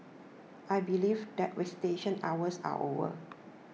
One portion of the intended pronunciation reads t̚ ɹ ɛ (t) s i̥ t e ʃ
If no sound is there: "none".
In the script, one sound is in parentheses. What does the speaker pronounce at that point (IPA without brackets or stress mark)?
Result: none